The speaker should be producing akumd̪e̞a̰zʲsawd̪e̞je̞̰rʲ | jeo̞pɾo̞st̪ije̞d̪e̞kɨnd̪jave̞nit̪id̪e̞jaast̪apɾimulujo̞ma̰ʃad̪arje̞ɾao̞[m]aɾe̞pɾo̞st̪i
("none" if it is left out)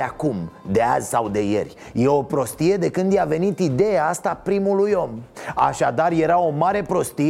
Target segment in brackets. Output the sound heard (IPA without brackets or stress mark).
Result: m